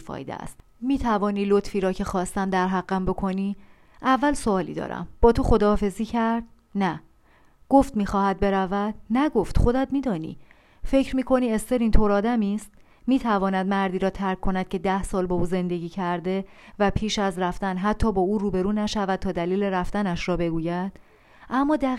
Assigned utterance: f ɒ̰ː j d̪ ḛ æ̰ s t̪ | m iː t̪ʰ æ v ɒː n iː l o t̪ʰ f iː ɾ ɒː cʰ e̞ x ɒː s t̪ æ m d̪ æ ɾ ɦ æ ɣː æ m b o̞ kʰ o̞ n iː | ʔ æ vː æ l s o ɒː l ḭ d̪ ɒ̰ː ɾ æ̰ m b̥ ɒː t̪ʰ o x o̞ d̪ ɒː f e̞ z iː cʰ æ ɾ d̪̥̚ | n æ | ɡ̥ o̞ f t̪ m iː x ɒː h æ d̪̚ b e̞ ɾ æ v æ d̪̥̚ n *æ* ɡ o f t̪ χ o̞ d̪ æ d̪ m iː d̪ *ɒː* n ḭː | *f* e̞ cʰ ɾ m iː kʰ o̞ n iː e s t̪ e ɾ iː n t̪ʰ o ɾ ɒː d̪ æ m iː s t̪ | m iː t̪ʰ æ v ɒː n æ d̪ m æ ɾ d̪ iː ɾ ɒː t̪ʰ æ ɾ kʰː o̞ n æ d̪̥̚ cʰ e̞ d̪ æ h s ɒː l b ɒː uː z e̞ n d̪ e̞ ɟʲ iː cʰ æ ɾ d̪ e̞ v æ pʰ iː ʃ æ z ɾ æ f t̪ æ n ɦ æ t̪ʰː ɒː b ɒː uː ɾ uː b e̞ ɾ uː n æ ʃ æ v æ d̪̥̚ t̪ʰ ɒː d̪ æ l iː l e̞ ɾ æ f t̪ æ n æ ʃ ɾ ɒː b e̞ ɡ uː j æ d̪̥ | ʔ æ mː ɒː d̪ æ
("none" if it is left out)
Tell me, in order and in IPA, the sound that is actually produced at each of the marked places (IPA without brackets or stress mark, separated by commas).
æ, ɒː, f